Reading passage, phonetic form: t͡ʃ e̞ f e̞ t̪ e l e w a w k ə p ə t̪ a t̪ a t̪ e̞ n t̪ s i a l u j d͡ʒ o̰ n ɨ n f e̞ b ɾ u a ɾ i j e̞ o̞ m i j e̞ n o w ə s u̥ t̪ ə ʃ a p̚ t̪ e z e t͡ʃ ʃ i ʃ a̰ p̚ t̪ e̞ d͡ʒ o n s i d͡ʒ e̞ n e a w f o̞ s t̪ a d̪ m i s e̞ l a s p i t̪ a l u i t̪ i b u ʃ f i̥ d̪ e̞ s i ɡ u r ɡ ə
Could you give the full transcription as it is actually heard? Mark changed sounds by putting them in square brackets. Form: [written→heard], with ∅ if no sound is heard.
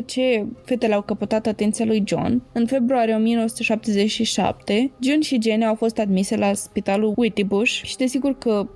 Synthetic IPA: t͡ʃ e̞ f e̞ t̪ e l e [w→∅] a w k ə p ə t̪ a t̪ a t̪ e̞ n t̪ s i a l u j d͡ʒ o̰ n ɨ n f e̞ b ɾ u a ɾ i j e̞ o̞ m i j e̞ n o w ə s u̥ t̪ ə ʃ a p̚ t̪ e z e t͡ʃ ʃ i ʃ a̰ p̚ t̪ e̞ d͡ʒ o n [s→ʃ] i d͡ʒ e̞ n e a w f o̞ s t̪ a d̪ m i s e̞ l a s p i t̪ a l u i t̪ i b u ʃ [f→ʃ] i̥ d̪ e̞ s i ɡ u r [ɡ→k] ə